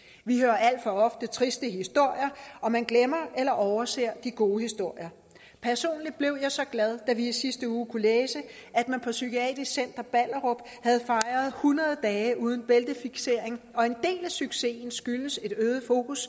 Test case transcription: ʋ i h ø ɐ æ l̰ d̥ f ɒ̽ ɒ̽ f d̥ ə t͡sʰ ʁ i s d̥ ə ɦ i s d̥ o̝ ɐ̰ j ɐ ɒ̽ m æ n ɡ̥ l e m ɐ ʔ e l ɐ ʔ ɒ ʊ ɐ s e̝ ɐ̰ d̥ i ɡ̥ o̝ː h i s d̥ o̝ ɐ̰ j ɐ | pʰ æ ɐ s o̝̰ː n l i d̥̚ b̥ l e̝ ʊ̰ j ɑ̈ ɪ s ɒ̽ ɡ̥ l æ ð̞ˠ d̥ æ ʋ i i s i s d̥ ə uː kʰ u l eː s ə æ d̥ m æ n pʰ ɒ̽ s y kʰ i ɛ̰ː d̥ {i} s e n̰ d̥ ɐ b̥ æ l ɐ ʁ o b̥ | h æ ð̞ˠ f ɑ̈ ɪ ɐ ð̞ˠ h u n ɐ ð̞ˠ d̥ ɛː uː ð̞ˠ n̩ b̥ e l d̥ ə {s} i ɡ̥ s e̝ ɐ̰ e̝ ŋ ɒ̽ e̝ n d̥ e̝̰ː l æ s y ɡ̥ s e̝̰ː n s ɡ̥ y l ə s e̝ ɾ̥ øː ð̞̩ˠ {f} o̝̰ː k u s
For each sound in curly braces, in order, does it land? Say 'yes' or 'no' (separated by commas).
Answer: yes, no, yes